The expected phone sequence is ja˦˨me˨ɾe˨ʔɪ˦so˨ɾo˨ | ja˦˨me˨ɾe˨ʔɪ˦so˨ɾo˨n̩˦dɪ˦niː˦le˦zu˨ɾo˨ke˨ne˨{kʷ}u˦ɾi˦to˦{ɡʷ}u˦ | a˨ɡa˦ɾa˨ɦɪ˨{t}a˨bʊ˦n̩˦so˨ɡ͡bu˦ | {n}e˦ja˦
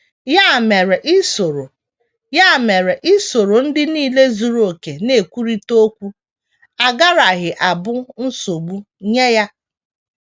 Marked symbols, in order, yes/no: yes, no, no, no

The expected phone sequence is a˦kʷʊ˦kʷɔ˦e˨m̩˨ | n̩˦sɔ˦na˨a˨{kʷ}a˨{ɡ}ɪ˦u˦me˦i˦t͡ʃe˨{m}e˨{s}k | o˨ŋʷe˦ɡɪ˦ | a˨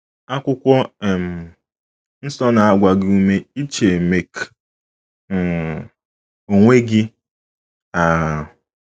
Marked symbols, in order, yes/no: no, yes, yes, no

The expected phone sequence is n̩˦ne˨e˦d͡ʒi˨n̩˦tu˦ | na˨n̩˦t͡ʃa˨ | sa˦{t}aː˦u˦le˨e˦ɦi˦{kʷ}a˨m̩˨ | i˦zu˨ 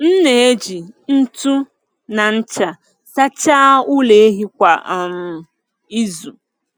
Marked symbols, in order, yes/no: no, yes

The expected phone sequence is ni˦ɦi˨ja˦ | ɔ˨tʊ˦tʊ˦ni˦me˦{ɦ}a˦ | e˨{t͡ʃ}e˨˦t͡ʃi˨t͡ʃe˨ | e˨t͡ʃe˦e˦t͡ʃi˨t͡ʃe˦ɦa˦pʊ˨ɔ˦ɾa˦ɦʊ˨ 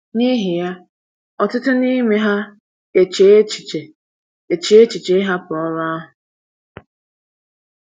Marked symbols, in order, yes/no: yes, yes

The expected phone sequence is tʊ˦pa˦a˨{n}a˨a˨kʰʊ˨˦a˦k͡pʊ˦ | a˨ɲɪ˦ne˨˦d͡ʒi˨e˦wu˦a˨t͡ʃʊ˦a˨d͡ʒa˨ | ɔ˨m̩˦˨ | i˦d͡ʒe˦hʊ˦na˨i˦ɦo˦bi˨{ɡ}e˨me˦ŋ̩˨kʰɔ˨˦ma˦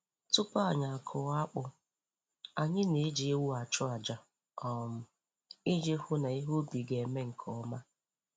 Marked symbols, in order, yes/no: no, yes

